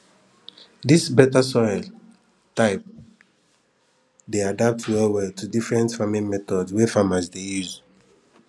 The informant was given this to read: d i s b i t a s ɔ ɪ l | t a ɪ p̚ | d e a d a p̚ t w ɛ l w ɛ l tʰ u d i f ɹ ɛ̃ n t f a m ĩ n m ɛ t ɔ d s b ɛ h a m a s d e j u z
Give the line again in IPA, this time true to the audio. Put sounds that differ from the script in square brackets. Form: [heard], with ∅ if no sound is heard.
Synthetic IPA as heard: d i s b [ɛ] t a s ɔ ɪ l | t a ɪ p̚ | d e a d a p̚ t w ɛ l w ɛ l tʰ u d i f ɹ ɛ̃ n t f a m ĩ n m ɛ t ɔ d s [w] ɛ [f] a m a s d e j u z